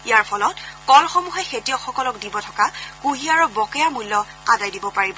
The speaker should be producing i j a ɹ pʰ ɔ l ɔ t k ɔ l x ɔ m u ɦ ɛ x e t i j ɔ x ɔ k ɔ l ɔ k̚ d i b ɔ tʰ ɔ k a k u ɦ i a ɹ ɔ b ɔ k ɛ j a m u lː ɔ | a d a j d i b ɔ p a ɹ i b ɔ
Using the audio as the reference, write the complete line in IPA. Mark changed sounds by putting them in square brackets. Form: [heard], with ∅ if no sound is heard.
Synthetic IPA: i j a ɹ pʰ ɔ l ɔ t k ɔ l x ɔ m u ɦ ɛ x e t i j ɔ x ɔ k ɔ l ɔ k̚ d i b ɔ tʰ ɔ k a k u ɦ i a ɹ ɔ b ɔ k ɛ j a m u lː ɔ | a d a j d i b ɔ p a ɹ i b ɔ